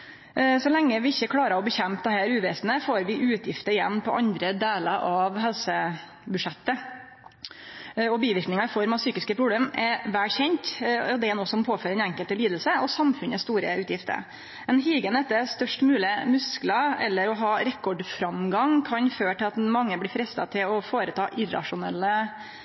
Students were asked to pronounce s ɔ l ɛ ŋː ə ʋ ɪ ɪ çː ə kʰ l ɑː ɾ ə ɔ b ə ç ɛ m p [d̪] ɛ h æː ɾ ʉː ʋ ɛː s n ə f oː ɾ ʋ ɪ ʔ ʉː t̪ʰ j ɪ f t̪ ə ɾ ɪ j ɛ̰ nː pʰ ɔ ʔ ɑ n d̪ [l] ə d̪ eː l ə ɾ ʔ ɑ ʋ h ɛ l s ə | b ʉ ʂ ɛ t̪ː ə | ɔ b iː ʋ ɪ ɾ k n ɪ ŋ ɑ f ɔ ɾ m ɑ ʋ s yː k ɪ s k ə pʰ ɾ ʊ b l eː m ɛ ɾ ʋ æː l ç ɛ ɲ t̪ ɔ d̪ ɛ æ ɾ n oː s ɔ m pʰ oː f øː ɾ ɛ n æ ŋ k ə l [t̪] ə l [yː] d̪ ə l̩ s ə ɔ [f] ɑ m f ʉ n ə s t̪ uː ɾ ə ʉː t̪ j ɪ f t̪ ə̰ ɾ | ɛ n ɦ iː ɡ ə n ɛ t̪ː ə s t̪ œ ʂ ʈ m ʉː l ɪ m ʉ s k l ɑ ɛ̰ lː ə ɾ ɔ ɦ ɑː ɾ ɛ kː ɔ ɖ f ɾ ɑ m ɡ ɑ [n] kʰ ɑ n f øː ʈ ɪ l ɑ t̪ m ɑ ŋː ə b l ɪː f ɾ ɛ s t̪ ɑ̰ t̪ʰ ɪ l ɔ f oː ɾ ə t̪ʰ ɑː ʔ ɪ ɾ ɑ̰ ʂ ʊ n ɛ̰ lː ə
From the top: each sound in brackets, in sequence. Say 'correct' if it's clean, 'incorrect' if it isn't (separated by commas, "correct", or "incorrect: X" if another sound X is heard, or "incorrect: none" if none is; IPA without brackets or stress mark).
correct, incorrect: ɾ, correct, incorrect: iː, incorrect: s, incorrect: ŋ